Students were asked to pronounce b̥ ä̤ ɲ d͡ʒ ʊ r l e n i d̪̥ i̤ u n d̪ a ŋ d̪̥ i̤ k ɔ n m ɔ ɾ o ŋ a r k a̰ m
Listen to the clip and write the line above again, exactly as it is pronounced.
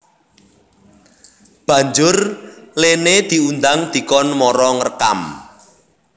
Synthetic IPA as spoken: b̥ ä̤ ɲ d͡ʒ ʊ r l e n e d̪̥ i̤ u n d̪ a ŋ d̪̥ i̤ k ɔ n m ɔ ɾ ɔ ŋ ə r k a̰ m